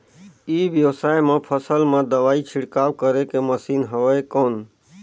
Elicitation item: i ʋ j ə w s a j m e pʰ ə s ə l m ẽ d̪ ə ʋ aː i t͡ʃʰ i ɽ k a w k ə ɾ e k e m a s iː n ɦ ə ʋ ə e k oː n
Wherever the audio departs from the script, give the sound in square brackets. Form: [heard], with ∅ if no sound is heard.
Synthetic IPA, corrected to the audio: i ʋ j ə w s a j m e pʰ ə s ə l m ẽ d̪ ə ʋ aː i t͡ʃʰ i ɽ k a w k ə ɾ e k e m [ə] s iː n ɦ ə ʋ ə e k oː n